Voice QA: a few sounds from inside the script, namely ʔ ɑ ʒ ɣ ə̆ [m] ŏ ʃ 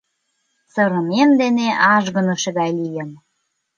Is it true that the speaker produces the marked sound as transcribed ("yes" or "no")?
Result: no